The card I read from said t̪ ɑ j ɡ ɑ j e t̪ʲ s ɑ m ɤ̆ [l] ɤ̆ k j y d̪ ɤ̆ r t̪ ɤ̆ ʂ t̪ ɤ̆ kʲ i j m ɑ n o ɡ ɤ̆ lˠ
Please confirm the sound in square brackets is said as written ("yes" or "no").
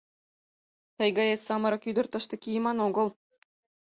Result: no